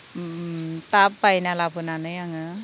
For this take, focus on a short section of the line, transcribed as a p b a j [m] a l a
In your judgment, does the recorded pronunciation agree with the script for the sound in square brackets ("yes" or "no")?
no